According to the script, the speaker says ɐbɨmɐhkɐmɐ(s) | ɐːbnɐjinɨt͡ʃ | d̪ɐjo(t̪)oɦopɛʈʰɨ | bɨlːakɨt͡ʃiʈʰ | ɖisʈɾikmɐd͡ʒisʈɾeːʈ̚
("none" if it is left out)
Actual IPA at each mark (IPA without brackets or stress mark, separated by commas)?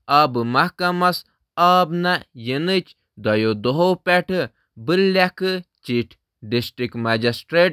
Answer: s, d̪